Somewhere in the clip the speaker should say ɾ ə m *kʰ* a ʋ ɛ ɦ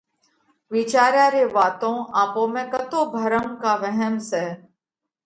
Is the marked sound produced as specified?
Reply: no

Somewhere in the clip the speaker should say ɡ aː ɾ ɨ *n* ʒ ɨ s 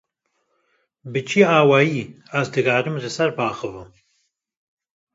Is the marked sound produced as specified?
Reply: no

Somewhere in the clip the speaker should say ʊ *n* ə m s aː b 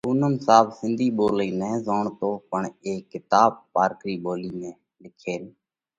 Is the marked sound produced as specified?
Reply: yes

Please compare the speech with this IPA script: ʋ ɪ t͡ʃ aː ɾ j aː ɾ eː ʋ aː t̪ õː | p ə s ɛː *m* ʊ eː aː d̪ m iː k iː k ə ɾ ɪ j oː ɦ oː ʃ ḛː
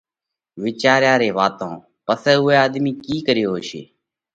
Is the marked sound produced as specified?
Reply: no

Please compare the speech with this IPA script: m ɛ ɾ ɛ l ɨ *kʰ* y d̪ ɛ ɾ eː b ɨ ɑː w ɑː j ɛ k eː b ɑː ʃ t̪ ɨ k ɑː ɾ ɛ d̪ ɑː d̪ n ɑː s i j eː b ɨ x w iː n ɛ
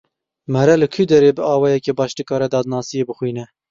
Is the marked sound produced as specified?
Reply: yes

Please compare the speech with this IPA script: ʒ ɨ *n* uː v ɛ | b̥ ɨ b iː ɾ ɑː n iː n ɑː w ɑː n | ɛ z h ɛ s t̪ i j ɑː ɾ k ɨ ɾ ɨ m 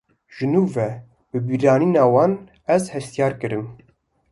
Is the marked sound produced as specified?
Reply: yes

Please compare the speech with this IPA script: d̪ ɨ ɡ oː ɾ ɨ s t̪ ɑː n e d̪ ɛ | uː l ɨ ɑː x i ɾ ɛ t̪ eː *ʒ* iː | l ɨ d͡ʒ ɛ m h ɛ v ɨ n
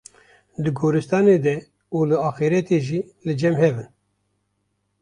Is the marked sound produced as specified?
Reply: yes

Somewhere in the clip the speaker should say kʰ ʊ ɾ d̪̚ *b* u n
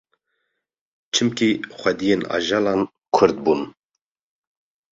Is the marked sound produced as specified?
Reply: yes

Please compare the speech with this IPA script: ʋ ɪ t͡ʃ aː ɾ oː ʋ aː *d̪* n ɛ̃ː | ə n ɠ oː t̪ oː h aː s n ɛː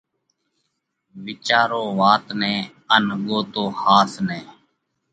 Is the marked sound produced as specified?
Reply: no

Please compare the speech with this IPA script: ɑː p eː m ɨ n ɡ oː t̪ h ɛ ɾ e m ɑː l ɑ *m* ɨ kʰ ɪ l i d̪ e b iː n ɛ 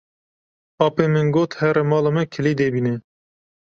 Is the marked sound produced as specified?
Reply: yes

